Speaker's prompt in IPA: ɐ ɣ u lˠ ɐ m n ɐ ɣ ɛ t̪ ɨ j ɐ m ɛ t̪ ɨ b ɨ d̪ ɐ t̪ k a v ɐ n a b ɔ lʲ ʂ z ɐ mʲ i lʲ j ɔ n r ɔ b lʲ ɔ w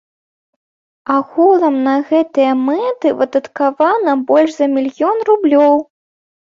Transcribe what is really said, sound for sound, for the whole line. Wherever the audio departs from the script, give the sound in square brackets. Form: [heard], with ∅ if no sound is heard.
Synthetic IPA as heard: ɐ ɣ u lˠ ɐ m n ɐ ɣ ɛ t̪ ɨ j ɐ m ɛ t̪ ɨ [v] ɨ d̪ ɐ t̪ k a v [a] n [ɐ] b ɔ lʲ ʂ z ɐ mʲ i lʲ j ɔ n r [u] b lʲ ɔ w